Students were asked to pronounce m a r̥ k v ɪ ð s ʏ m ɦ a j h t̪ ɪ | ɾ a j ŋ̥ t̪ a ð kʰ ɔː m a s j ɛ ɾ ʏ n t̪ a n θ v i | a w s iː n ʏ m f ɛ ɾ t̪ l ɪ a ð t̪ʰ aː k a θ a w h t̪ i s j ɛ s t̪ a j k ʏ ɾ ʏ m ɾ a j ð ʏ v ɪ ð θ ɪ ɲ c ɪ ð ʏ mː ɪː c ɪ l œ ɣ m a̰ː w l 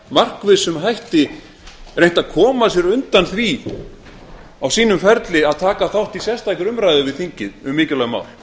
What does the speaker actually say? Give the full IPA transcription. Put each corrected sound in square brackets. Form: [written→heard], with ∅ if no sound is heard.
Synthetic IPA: m a r̥ k v ɪ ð s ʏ m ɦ a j h t̪ ɪ | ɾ [a→e] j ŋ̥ t̪ a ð kʰ ɔː m a s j ɛ ɾ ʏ n t̪ a n θ v i | a w s iː n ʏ m f ɛ ɾ t̪ l ɪ a ð t̪ʰ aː k a θ a w h t̪ i s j ɛ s t̪ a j k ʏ ɾ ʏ m ɾ a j ð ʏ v ɪ ð θ [ɪ→i] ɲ c ɪ ð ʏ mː ɪː c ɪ l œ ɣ m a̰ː w l